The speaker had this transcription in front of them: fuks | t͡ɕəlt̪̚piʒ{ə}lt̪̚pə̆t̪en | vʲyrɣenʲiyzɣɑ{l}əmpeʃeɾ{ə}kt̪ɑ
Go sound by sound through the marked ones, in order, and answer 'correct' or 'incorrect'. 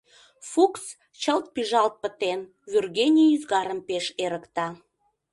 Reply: incorrect: ɑ, incorrect: ɾ, correct

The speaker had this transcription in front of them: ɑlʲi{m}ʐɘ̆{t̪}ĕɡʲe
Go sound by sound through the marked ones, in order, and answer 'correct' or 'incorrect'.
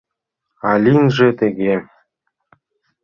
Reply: incorrect: n, correct

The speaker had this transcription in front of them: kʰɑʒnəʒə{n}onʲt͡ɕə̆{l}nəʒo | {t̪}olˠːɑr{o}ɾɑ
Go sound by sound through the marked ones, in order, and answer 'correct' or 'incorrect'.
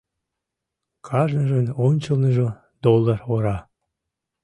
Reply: correct, correct, incorrect: d̪, correct

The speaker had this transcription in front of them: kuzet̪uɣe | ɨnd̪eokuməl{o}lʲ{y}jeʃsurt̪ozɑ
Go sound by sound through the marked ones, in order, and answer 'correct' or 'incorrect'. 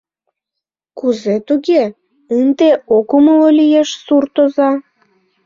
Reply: correct, incorrect: i

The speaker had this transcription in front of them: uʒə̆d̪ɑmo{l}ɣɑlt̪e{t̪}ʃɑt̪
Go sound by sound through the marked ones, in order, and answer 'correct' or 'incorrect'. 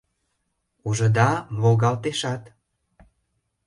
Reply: correct, incorrect: none

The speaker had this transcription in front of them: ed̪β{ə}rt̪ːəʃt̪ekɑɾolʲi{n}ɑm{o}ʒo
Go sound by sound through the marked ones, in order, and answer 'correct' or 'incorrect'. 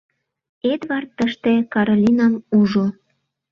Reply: incorrect: ɑ, correct, incorrect: u

